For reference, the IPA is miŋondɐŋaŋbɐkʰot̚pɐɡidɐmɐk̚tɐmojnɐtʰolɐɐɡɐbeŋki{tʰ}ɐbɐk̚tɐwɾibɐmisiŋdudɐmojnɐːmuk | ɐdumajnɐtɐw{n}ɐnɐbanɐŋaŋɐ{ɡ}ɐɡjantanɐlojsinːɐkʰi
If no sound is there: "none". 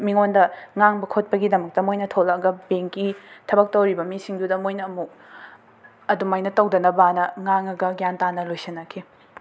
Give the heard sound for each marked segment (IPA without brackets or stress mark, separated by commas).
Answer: tʰ, d, ɡ